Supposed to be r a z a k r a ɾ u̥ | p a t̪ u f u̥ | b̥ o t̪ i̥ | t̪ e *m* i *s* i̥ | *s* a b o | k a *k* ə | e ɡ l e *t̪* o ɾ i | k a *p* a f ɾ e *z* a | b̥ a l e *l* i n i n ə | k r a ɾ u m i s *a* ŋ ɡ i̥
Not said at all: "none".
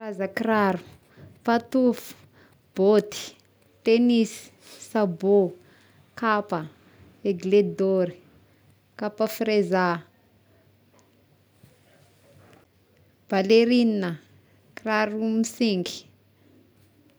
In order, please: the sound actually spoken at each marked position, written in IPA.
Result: n, s, s, p, d̪, p, z, ɾ, i

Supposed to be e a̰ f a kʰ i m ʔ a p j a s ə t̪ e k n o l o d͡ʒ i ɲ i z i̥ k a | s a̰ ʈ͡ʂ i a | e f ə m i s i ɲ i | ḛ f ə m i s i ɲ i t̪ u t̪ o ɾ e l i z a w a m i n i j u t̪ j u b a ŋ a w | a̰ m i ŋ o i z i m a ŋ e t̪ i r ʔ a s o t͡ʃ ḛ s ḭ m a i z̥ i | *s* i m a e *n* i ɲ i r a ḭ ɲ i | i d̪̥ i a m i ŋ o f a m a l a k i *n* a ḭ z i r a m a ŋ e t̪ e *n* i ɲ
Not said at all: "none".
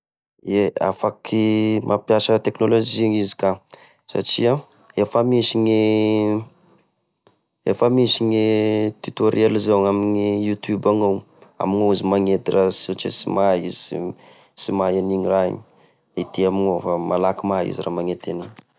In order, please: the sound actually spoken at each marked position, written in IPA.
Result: s, n, m, n

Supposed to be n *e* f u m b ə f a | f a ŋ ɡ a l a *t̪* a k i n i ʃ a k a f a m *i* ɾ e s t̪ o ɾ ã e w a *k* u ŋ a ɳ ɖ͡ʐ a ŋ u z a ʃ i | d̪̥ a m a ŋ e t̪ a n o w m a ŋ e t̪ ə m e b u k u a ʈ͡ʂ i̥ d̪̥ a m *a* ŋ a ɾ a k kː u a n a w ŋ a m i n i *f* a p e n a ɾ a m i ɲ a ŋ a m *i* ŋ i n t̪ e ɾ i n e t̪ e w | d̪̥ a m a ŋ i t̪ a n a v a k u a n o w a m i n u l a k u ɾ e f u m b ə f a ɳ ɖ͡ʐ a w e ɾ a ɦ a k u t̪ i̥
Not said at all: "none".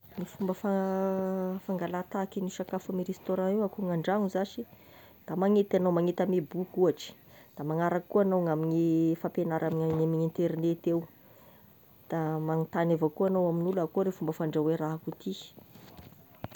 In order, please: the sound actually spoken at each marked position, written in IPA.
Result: i, t̪, i, k, a, f, i

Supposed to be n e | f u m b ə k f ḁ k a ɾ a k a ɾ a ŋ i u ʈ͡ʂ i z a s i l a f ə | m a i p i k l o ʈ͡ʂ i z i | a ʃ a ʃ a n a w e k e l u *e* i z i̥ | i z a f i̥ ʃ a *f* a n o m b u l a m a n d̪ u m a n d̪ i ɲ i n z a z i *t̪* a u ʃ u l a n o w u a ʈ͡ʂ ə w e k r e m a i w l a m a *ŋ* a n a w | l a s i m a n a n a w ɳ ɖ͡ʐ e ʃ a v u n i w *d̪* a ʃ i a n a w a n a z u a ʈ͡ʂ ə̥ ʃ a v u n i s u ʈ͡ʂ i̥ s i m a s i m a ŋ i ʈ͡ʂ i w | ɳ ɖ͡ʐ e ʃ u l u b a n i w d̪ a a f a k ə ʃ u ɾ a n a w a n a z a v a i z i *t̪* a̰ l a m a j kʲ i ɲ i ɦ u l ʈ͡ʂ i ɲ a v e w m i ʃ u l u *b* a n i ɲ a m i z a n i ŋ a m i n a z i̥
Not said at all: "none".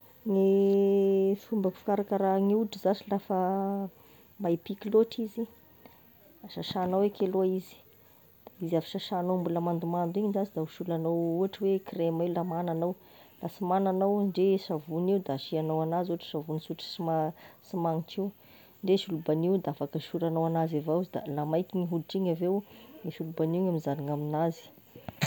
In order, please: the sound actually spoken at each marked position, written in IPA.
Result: a, ʃ, d̪, n, d̪, d̪, b

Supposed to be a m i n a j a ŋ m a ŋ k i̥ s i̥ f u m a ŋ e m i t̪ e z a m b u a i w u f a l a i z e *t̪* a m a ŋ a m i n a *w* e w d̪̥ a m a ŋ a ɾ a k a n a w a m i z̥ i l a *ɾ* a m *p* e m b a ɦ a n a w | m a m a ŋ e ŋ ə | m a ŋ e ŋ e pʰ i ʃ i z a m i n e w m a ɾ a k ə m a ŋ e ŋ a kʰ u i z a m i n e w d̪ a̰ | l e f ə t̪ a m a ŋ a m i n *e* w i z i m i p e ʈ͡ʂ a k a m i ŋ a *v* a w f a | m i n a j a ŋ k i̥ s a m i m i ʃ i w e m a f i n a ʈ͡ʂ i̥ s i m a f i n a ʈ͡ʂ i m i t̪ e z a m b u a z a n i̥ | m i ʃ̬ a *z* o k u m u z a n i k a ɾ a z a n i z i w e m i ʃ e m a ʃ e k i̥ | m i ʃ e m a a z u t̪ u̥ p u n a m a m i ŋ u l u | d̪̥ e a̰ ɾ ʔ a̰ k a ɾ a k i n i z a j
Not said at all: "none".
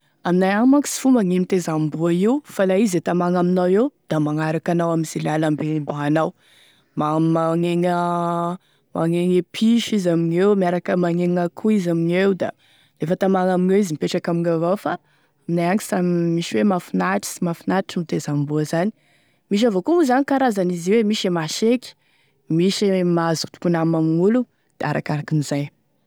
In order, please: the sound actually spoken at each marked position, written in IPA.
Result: t̪, w, l, b, e, v, v

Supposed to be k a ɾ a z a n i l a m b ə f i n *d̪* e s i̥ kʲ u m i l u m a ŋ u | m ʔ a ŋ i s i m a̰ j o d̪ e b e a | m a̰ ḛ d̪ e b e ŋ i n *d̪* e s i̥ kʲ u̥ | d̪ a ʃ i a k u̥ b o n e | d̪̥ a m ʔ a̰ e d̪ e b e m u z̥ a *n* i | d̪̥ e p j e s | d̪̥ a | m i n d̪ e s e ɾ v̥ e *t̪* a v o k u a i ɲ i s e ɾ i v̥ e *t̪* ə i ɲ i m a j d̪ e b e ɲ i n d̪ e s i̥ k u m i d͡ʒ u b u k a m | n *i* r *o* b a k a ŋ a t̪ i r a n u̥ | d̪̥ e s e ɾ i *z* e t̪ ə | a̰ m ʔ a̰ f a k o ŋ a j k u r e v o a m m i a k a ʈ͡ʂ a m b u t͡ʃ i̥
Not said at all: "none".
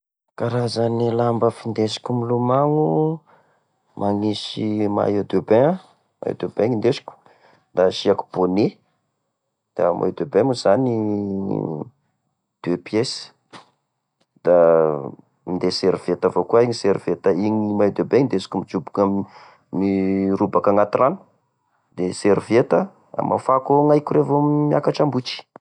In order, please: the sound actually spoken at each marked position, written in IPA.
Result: d̪, d̪, n, t̪, t̪, i, u, v

